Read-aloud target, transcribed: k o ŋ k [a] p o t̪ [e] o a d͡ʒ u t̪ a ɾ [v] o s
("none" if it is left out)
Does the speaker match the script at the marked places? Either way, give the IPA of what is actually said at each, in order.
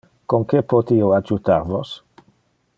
e, i, v

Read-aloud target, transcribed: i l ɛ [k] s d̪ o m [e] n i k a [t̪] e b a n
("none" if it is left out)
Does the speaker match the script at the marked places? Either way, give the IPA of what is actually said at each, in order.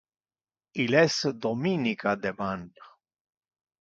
none, i, d̪

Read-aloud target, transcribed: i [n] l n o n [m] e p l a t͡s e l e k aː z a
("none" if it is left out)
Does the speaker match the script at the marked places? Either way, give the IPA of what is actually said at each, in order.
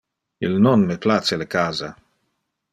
none, m

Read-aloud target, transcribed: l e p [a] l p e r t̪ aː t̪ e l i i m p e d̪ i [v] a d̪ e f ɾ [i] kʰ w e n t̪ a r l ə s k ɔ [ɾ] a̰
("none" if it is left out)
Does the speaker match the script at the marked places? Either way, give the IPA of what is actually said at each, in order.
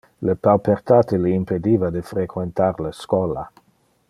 a, v, e, l

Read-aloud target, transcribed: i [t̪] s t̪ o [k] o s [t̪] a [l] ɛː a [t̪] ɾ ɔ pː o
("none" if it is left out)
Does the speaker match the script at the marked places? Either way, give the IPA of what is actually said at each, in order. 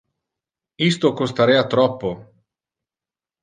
none, k, t̪, ɾ, t̪

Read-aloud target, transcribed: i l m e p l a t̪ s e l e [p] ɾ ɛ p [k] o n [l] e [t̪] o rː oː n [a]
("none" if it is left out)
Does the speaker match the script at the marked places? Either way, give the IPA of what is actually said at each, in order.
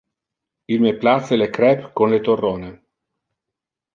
k, k, l, t̪, e

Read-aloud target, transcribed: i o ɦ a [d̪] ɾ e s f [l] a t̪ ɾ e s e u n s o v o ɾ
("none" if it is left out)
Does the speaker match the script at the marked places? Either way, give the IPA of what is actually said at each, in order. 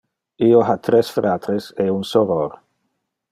t̪, ɾ

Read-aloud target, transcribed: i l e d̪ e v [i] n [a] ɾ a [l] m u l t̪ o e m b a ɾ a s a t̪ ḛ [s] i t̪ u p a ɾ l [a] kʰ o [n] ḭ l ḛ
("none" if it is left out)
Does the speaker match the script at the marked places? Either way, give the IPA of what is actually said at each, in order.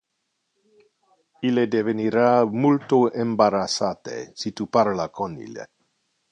e, i, none, s, a, n

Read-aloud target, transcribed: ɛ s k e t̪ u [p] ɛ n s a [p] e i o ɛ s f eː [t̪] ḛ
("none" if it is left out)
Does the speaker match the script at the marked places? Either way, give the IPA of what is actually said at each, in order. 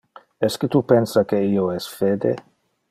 p, k, d̪

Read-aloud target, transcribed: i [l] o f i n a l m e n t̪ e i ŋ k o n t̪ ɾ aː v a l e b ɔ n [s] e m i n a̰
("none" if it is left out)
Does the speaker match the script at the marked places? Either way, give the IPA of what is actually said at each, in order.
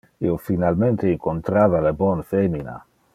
none, f

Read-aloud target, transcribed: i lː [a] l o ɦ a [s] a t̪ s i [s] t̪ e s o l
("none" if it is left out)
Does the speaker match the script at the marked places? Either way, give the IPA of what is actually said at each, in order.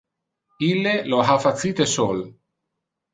e, f, none

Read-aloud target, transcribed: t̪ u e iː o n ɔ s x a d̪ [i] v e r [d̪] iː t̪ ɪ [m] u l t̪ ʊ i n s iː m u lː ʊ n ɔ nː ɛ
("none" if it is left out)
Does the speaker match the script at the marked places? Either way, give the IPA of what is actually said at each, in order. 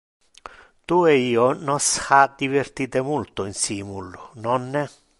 i, t̪, m

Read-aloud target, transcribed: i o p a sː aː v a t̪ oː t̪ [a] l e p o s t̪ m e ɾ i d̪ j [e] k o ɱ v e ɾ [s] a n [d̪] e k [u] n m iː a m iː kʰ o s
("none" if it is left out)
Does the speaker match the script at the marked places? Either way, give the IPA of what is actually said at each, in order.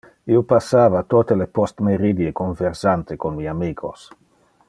e, e, s, t̪, o

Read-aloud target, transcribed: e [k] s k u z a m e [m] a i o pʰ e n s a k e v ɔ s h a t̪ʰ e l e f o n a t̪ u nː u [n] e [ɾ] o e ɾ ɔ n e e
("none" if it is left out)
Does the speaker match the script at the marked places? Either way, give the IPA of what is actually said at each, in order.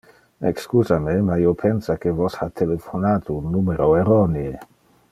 k, m, m, ɾ

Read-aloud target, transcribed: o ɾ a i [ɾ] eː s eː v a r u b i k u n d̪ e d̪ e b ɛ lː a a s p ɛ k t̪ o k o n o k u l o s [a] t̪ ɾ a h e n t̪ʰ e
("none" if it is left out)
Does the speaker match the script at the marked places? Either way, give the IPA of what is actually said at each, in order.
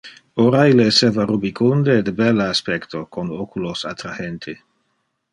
l, a

